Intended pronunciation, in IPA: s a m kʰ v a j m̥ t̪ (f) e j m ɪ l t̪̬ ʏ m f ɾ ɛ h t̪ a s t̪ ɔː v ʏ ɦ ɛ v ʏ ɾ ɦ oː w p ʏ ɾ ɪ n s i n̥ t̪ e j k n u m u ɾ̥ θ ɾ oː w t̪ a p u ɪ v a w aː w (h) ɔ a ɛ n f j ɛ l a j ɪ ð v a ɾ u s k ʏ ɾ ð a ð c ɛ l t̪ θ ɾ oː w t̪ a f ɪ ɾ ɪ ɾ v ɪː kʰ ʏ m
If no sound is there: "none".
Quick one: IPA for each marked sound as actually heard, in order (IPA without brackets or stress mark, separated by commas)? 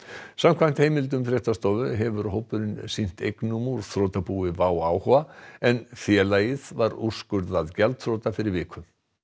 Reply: h, h